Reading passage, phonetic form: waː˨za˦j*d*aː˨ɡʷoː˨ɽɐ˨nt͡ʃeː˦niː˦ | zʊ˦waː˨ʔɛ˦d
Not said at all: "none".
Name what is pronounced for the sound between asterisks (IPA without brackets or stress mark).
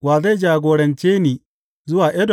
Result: d͡ʒ